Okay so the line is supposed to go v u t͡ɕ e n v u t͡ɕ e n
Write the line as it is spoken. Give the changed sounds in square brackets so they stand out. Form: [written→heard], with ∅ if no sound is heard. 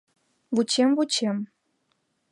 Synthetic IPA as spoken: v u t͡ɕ e [n→m] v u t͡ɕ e [n→m]